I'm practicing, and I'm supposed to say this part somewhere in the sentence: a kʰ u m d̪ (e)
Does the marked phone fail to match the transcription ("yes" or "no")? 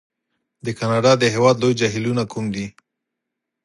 yes